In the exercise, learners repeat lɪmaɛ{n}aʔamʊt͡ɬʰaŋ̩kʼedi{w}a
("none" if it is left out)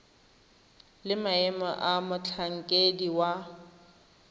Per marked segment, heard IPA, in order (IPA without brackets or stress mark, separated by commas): m, w